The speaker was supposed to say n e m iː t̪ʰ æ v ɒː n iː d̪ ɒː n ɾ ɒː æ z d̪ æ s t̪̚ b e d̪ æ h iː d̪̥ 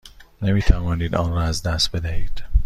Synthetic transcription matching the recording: n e m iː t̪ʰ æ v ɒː n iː d̪ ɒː n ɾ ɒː æ z d̪ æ s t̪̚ b e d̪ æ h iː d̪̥

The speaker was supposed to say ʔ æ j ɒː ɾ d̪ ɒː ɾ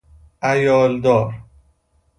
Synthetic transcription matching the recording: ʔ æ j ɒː l d̪ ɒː ɾ

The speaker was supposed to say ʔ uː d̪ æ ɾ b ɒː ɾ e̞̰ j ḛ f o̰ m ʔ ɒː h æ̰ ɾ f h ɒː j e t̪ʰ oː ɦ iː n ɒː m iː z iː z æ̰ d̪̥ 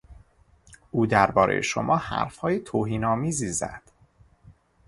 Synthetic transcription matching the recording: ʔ uː d̪ æ ɾ b ɒː ɾ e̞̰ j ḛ ʃ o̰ m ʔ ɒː h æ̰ ɾ f h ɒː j e t̪ʰ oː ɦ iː n ɒː m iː z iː z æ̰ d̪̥

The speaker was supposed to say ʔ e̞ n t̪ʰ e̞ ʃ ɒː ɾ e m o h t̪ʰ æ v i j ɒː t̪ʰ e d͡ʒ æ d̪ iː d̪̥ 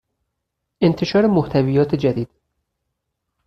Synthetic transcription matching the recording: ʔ e̞ n t̪ʰ e̞ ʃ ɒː ɾ e m o h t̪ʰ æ v i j ɒː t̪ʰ e d͡ʒ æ d̪ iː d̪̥

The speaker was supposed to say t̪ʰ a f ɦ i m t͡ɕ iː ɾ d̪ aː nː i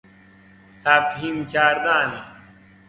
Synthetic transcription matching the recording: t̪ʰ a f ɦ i m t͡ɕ aː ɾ d̪ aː n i

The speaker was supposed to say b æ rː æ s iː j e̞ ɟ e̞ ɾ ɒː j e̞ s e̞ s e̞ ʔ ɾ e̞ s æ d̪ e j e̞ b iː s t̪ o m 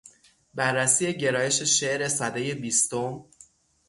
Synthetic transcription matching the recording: b æ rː æ s iː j e̞ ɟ e̞ ɾ ɒː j e̞ ʃ e̞ ʃ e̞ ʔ ɾ e̞ s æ d̪ e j e̞ b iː s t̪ o m

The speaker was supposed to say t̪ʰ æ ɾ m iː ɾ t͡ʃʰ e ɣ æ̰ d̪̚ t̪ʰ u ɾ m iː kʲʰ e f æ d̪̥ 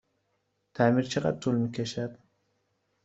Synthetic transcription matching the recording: t̪ʰ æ m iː ɾ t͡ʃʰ e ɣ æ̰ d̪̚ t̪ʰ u l m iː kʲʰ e ʃ æ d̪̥

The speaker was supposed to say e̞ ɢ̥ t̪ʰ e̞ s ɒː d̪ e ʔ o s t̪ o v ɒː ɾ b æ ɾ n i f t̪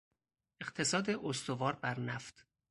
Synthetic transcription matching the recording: e̞ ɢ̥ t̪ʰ e̞ s ɒː d̪ e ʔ o s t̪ o v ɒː ɾ b æ ɾ n æ f t̪

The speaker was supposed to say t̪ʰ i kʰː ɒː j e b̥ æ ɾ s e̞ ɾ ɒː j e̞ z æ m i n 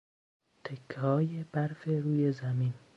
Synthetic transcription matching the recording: t̪ʰ e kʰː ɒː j e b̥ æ ɾ f e̞ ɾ uː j e̞ z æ m i n

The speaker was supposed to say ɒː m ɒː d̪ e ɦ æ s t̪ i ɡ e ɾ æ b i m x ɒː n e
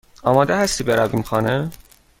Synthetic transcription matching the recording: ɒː m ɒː d̪ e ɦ æ s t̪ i b e ɾ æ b i m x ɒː n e

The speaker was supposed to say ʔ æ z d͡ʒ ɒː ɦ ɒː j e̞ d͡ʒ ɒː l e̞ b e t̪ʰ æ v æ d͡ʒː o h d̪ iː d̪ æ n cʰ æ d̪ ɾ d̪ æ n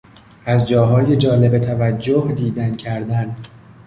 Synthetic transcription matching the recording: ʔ æ z d͡ʒ ɒː ɦ ɒː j e̞ d͡ʒ ɒː l e̞ b e t̪ʰ æ v æ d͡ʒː o h d̪ iː d̪ æ n cʰ æ ɾ d̪ æ n

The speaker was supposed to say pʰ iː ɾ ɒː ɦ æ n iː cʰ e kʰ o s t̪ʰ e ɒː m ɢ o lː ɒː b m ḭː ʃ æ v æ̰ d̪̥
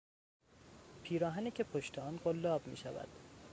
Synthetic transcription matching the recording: pʰ iː ɾ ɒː ɦ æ n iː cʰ e pʰ o ʃ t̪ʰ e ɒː n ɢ o lː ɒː b m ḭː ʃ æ v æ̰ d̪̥

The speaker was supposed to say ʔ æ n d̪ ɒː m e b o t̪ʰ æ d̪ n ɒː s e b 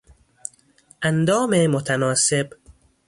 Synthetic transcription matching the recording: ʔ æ n d̪ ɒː m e m o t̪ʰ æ n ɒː s e b

